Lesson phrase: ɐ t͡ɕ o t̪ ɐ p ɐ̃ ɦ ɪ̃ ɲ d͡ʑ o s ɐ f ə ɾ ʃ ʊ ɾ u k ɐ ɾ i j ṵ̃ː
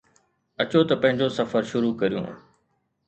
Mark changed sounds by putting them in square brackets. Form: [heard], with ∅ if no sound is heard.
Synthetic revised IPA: ɐ t͡ɕ o t̪ ɐ p ɐ̃ ɦ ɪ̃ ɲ d͡ʑ o s ɐ f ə ɾ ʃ ʊ ɾ u k ɐ ɾ i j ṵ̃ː